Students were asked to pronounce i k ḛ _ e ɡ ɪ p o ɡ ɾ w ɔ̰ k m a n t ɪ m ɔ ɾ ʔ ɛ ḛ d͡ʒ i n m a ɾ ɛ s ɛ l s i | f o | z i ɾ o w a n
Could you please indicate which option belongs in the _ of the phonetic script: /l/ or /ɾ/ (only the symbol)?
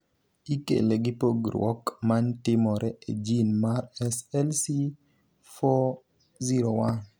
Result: l